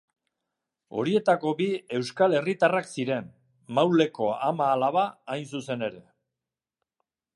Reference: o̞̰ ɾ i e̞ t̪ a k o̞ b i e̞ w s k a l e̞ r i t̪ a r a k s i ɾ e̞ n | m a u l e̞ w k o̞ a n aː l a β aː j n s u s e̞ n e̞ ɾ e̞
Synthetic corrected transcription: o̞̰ ɾ i e̞ t̪ a k o̞ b i e̞ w s k a l e̞ r i t̪ a r a k s i ɾ e̞ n | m a w l e̞ k o̞ a m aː l a β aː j n s u s e̞ n e̞ ɾ e̞